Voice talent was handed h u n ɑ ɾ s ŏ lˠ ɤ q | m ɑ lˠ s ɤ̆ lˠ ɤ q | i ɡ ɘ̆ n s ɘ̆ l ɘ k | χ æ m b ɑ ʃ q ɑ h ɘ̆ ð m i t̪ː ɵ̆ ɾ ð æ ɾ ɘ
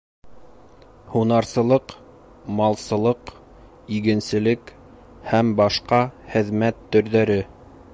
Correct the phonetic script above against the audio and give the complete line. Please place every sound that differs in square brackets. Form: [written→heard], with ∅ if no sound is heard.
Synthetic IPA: h u n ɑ ɾ s [ŏ→ɤ̆] lˠ ɤ q | m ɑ lˠ s ɤ̆ lˠ ɤ q | i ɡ ɘ̆ n s ɘ̆ l ɘ k | [χ→h] æ m b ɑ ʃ q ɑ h ɘ̆ ð m [i→æ] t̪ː ɵ̆ ɾ ð æ ɾ ɘ